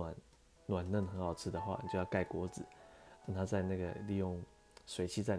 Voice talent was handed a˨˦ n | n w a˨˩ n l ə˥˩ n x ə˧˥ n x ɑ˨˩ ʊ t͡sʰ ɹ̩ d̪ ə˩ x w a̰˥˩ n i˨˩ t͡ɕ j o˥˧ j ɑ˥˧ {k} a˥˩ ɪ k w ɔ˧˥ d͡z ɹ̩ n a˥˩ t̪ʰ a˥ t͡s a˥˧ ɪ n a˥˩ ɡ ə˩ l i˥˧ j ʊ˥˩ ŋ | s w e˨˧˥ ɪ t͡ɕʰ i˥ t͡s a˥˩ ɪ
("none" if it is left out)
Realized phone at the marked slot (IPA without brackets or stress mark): k